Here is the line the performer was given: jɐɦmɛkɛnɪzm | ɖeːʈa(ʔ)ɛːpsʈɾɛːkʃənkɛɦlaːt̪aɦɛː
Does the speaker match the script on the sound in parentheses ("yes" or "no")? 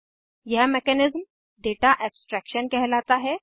yes